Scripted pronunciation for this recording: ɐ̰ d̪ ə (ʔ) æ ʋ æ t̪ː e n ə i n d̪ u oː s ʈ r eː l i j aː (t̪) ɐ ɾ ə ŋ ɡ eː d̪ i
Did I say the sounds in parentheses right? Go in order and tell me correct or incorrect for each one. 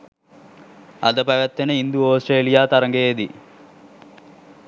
incorrect: p, correct

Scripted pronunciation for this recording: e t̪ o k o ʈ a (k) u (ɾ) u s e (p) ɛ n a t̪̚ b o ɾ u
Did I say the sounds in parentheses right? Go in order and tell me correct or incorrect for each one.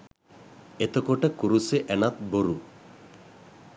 correct, correct, incorrect: ʔ

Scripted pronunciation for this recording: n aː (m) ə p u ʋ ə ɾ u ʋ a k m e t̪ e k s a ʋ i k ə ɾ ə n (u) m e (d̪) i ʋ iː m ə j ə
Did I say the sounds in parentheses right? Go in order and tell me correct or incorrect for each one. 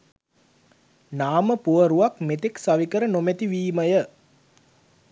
correct, incorrect: o, incorrect: t̪

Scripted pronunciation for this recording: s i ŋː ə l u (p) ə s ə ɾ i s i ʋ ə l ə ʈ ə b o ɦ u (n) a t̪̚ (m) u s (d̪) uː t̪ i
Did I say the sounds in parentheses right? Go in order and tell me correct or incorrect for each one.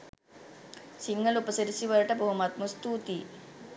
correct, incorrect: m, correct, incorrect: t̪

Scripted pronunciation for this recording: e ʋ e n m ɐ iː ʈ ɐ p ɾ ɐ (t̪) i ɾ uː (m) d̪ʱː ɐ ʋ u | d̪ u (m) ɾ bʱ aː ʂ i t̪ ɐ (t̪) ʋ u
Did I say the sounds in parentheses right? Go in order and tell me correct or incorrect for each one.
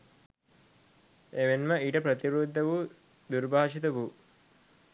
correct, incorrect: none, incorrect: none, incorrect: none

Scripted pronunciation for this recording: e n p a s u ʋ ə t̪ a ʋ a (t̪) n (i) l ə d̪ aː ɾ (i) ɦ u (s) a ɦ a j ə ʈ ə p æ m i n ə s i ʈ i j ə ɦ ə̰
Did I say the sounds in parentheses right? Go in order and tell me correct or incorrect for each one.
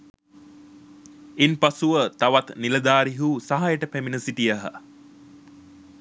correct, correct, correct, correct

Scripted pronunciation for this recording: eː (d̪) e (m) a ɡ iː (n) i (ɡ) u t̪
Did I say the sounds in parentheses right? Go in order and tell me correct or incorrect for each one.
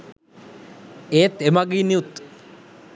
incorrect: t̪, correct, correct, incorrect: none

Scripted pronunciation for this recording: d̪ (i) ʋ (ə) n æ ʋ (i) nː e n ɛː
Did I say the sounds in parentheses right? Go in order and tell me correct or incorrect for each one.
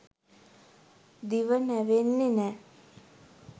correct, correct, incorrect: e

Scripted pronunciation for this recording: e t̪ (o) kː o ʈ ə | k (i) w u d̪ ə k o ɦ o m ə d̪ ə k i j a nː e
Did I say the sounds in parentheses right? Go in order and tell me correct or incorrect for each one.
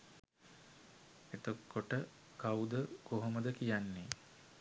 correct, incorrect: a

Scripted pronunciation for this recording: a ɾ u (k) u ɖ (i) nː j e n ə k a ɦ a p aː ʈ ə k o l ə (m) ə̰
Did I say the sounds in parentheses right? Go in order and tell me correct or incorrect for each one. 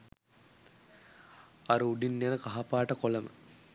incorrect: none, correct, correct

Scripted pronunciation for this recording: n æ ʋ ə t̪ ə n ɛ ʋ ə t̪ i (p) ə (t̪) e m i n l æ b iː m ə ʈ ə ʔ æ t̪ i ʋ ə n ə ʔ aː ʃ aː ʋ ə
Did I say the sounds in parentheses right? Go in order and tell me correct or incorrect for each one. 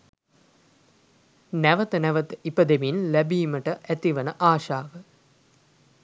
correct, incorrect: d̪

